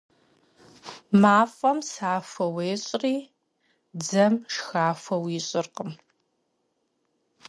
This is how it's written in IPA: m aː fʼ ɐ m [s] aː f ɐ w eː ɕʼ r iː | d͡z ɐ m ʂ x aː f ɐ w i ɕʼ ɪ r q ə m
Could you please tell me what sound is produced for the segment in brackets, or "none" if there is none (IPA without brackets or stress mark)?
s